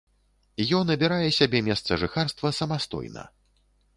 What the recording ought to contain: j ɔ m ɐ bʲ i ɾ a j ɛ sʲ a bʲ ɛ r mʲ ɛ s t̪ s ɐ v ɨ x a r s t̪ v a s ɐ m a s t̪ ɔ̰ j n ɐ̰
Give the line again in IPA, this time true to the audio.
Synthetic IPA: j ɔ n ɐ bʲ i ɾ a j ɛ sʲ a bʲ ɛ mʲ ɛ s t̪ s ɐ ʐ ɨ x a r s t̪ v ɐ s ɐ m a s t̪ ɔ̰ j n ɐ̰